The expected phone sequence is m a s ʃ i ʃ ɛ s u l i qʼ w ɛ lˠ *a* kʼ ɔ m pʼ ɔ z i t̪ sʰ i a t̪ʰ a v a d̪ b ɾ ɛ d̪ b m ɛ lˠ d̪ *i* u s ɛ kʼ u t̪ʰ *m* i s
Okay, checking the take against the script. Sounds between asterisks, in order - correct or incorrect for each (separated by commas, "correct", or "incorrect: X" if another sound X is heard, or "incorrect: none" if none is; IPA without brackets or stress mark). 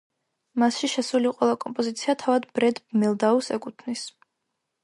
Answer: correct, incorrect: a, incorrect: n